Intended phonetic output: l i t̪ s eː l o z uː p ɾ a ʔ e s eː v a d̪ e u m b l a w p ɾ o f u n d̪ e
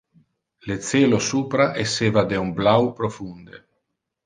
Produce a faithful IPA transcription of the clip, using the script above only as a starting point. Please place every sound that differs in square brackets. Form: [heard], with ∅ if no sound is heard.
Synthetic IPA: l [e] t̪ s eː l o [s] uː p ɾ a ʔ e s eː v a d̪ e u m b l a w p ɾ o f u n d̪ e